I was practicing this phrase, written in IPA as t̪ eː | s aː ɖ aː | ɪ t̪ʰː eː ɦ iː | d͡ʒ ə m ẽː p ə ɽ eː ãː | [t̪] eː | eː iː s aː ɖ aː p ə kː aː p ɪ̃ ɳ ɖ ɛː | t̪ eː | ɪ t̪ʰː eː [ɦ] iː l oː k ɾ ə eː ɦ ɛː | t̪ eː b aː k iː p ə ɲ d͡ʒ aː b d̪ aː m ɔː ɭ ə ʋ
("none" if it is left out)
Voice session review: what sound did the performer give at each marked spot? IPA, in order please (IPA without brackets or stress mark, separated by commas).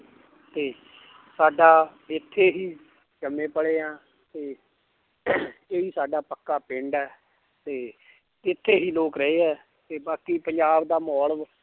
t̪, ɦ